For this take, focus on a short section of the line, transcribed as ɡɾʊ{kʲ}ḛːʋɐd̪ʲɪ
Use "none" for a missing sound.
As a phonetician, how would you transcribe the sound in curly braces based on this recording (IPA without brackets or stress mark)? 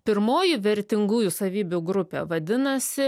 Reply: pʲ